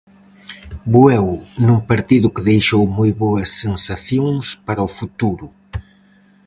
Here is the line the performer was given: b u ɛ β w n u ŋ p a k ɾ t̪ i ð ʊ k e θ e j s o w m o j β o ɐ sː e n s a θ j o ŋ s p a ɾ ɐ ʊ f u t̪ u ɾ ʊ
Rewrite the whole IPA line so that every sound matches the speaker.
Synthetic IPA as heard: b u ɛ w n u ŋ p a ɾ t̪ i ð ʊ k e ð e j ʃ o w m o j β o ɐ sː e n s a θ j o ŋ s p a ɾ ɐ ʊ f u t̪ u ɾ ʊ